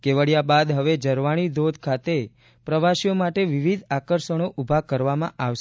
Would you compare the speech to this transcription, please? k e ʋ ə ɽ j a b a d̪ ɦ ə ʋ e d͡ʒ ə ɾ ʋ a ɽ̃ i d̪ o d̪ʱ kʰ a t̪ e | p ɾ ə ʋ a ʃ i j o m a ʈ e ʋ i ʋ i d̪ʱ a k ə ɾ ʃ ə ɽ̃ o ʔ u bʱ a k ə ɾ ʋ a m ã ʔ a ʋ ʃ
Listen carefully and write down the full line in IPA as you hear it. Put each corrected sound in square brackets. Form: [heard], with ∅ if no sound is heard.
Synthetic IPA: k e ʋ ə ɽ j a b a d̪ ɦ ə ʋ e d͡ʒ ə ɾ ʋ a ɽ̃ i d̪ o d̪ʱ kʰ a t̪ e | p ɾ ə ʋ a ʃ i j o m a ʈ e ʋ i ʋ i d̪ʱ a k ə ɾ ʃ ə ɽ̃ o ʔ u bʱ a k ə ɾ ʋ a m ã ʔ a ʋ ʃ